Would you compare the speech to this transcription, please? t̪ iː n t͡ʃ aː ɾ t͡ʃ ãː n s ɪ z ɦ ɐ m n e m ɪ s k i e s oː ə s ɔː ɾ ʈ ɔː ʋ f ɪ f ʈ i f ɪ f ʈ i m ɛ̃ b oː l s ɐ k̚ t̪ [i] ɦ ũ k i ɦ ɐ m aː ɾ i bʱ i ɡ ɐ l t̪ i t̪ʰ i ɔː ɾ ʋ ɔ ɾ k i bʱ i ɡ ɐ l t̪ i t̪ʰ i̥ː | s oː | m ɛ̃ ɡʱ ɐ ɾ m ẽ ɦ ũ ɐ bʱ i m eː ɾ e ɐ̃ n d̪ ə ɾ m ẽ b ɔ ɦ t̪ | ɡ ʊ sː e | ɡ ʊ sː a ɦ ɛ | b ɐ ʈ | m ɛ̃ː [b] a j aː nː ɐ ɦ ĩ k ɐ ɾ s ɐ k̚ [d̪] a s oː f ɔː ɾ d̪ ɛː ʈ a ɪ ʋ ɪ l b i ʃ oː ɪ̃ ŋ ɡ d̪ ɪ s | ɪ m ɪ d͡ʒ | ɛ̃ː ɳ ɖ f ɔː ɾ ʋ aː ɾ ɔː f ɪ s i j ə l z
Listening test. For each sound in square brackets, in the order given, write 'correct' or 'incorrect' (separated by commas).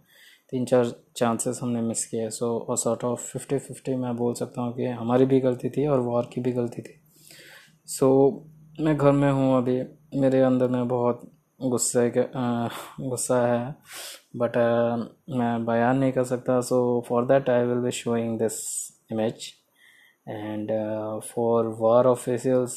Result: incorrect, correct, incorrect